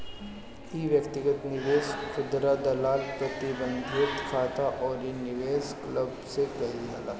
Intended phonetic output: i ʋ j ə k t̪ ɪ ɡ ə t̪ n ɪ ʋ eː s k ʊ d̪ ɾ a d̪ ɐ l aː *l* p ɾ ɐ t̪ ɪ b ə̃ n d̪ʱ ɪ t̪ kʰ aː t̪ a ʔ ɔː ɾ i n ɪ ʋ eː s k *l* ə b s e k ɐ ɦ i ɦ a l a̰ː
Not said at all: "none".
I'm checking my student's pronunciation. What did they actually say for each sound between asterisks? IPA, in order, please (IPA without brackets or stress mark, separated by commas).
l, l